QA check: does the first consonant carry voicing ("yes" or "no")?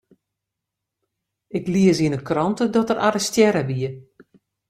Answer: no